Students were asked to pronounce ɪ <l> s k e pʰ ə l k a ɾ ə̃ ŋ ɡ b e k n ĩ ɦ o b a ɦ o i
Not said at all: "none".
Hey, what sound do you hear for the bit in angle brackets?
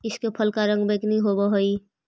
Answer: none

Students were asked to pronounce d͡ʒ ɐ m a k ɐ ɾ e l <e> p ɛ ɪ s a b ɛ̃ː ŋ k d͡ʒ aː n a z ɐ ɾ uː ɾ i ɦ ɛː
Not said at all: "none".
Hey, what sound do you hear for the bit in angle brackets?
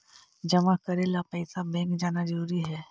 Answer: a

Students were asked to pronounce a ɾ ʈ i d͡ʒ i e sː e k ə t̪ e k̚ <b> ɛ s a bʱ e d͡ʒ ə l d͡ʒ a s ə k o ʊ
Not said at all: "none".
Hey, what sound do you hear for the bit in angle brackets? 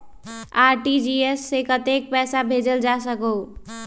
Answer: p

